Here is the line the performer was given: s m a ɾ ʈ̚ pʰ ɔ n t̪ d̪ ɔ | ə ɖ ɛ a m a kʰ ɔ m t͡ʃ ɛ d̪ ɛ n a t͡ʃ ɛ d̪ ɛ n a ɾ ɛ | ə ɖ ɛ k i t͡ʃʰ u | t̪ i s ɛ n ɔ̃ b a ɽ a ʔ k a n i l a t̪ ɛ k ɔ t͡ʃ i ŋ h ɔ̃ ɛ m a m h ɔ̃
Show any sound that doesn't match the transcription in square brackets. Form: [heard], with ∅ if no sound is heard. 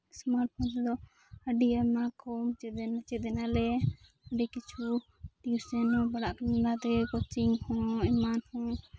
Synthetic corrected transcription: s m a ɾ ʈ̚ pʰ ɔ n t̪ d̪ ɔ | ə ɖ [i] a m a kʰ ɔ m t͡ʃ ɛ d̪ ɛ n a t͡ʃ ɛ d̪ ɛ n a [l] ɛ | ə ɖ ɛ k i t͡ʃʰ u | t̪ i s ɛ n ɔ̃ b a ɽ a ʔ k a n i l a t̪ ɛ k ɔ t͡ʃ i ŋ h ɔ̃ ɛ m a [n] h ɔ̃